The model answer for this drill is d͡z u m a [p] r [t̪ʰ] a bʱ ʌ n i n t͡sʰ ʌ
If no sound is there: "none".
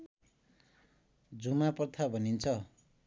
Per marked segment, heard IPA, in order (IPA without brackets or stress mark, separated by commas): p, t̪ʰ